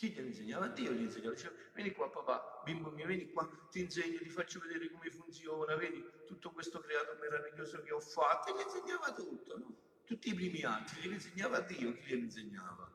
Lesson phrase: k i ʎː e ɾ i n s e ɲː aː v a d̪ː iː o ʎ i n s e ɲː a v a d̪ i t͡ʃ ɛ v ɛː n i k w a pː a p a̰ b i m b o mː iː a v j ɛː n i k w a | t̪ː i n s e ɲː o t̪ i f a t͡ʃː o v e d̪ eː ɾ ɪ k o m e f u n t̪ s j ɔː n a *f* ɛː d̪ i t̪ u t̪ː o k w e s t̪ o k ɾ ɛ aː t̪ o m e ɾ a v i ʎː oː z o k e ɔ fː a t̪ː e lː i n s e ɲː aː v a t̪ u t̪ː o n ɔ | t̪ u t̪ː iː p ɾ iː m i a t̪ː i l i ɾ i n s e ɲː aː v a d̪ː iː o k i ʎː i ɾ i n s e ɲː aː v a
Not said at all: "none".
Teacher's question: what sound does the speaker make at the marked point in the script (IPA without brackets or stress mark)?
v